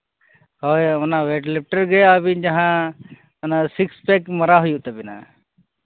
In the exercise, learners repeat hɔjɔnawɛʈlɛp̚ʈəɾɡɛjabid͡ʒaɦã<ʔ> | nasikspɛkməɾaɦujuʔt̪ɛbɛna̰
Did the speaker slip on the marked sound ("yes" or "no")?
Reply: yes